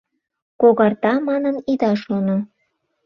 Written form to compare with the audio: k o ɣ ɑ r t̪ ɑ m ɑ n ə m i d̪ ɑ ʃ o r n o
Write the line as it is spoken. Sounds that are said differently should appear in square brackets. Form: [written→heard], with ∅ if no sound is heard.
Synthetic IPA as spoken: k o ɣ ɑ r t̪ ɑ m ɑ n ə [m→n] i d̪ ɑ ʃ o [r→∅] n o

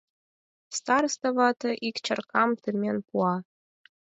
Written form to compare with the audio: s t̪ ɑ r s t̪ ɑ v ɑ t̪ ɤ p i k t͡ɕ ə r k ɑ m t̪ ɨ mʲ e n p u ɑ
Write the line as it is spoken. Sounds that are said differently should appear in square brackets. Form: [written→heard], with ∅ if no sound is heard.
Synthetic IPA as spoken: s t̪ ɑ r s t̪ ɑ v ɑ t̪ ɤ [p→ʔ] i k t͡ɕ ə r k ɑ m t̪ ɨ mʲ e n p u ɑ

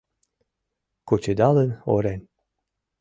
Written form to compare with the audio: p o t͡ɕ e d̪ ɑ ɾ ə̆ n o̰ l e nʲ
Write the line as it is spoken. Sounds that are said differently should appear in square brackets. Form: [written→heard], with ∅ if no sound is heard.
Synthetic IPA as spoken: [p→k] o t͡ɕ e d̪ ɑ [ɾ→l] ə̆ n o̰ [l→ɾ] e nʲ

